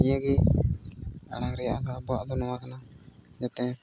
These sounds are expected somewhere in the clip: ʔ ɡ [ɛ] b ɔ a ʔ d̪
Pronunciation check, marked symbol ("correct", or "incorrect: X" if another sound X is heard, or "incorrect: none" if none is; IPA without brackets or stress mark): incorrect: a